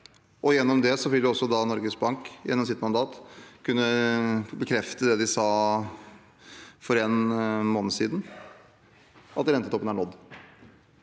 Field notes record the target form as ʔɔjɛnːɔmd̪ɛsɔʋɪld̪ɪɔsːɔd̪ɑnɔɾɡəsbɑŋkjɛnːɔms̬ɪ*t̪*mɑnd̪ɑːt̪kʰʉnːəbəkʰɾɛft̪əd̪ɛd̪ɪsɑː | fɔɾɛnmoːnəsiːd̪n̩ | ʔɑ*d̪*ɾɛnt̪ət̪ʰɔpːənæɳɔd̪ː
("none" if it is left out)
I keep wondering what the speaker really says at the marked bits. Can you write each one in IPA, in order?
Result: t̪, t̪

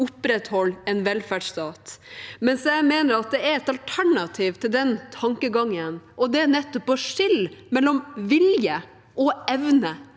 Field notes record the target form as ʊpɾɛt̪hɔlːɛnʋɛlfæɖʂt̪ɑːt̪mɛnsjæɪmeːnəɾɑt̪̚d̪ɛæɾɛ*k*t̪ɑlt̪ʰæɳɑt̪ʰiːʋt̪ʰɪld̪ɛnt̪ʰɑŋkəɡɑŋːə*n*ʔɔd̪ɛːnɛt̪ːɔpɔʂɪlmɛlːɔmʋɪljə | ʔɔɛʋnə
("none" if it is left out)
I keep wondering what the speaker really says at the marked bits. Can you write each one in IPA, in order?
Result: none, n

